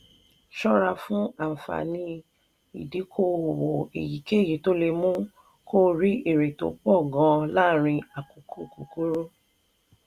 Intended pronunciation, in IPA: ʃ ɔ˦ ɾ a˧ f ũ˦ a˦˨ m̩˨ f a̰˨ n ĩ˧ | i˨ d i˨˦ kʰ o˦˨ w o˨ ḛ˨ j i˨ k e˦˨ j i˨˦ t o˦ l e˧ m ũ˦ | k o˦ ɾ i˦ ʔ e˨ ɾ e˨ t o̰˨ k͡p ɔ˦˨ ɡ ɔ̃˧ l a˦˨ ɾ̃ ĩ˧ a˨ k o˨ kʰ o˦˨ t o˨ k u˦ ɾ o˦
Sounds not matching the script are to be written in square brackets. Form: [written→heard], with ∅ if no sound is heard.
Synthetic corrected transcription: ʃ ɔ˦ ɾ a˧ f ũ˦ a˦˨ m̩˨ f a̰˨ n ĩ˧ | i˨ d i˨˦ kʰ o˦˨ w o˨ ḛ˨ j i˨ k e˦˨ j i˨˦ t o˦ l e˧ m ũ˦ | k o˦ ɾ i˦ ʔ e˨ ɾ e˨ t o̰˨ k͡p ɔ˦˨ ɡ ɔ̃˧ l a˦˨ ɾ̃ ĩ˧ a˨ k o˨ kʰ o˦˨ [t→k] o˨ k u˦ ɾ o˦